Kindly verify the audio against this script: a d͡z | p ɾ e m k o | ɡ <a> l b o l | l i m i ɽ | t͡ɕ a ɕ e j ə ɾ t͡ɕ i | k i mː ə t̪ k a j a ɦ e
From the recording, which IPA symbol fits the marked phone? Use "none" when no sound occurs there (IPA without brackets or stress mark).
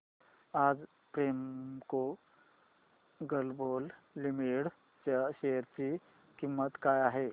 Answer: ə